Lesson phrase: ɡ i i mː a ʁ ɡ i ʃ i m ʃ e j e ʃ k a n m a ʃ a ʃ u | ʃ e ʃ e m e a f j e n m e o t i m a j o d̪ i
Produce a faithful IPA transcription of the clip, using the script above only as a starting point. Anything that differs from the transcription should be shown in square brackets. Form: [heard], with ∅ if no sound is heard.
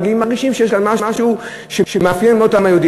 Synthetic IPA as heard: ɡ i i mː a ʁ ɡ i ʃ i m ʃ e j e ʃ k a n m a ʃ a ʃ u | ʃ e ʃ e m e a f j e n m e o t [a] m a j o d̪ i